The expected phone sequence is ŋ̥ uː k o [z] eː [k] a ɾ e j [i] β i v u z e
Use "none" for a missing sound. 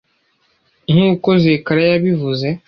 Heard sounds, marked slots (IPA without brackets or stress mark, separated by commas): z, k, a